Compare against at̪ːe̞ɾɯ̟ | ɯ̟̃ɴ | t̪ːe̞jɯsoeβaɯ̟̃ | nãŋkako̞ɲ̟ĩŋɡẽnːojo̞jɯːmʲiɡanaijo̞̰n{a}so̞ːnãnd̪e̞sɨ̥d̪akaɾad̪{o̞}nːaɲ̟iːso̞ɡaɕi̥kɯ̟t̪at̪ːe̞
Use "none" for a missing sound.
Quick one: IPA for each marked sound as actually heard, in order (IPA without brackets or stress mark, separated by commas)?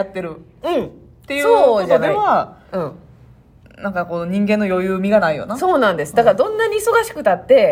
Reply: a, õ̞